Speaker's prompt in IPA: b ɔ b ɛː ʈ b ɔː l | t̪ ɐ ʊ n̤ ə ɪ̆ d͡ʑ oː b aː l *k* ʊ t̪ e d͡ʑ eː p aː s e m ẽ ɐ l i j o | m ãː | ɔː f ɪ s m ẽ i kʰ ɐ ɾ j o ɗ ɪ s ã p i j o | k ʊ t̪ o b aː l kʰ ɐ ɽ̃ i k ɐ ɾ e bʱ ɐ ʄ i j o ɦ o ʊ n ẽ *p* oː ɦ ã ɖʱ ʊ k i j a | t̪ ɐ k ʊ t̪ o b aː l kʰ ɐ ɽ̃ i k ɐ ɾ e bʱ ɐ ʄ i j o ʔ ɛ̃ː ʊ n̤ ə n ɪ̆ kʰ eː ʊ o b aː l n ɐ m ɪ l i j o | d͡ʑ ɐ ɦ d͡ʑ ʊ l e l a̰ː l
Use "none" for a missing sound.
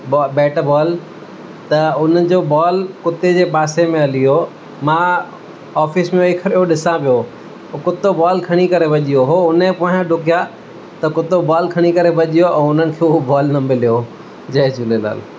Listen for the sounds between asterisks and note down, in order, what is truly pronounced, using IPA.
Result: k, p

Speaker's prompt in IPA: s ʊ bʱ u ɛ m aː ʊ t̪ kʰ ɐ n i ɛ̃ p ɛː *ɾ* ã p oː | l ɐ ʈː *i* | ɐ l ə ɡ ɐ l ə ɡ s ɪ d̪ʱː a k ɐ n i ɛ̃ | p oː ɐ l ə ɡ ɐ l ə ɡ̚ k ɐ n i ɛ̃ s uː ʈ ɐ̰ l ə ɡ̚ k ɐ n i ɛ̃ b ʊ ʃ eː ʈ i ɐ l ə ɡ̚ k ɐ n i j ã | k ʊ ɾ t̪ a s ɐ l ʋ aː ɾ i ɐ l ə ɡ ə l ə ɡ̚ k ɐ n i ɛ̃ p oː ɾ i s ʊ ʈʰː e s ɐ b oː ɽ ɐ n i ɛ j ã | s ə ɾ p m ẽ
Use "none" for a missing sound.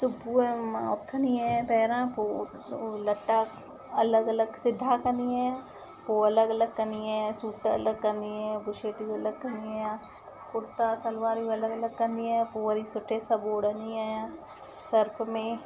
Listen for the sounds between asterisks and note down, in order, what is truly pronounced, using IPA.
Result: ɾ, a

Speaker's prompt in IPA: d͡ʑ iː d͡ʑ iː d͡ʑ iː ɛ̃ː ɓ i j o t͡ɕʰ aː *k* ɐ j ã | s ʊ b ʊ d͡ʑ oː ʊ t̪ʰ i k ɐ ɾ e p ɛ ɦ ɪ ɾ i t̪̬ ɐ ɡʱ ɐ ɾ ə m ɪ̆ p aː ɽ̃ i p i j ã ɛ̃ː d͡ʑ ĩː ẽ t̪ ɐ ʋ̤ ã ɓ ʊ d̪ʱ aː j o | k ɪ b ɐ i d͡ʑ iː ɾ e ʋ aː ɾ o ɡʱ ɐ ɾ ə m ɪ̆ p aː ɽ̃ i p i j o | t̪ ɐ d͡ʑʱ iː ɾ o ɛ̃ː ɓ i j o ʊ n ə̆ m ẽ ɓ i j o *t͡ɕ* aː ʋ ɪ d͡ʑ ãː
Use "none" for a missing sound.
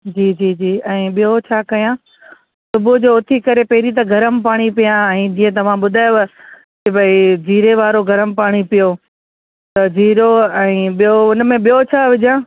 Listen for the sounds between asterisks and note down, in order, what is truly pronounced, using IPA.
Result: k, t͡ɕʰ

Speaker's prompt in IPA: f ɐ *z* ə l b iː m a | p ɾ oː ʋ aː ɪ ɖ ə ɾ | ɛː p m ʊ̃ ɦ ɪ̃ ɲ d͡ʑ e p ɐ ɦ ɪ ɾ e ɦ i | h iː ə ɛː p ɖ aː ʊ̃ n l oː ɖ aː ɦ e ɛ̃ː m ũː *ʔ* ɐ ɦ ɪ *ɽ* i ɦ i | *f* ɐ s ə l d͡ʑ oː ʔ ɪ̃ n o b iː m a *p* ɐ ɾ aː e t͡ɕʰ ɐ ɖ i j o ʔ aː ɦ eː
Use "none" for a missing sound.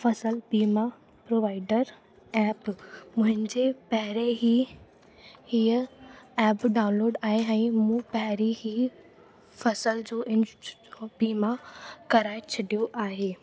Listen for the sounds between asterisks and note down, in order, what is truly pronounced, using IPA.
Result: s, p, ɾ, f, k

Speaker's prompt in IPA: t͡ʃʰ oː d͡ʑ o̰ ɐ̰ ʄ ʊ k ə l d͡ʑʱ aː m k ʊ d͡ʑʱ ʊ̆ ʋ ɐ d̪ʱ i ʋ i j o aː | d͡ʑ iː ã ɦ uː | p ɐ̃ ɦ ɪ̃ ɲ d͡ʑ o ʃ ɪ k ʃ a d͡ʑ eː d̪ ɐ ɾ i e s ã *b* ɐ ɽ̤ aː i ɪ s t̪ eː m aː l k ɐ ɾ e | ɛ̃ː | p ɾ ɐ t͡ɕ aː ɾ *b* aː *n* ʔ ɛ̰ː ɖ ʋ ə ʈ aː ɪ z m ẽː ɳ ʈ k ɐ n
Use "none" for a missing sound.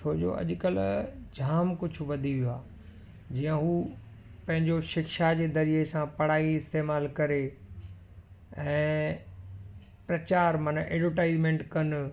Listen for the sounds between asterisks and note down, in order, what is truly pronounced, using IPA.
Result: p, m, n

